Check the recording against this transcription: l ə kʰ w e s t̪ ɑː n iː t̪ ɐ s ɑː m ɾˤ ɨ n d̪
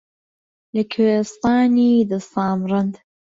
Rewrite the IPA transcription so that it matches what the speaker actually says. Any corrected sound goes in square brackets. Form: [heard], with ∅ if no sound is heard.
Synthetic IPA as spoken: l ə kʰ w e s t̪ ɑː n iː [d̪] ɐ s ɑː m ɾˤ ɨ n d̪